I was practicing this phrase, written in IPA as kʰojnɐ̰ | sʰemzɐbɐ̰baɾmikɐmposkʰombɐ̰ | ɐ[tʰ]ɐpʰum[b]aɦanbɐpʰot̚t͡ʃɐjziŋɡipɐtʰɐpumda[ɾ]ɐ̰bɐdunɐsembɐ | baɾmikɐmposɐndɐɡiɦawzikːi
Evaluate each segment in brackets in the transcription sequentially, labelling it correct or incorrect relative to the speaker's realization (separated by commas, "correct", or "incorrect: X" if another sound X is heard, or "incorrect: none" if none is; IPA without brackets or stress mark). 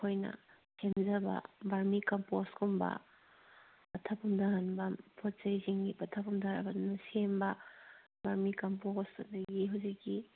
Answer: correct, incorrect: d, correct